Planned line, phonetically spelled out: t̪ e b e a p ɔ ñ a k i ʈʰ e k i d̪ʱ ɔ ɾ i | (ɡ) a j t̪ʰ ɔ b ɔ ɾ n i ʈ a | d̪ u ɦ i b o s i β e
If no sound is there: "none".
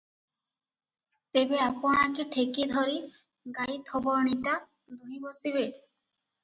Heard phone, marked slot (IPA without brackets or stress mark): ɡ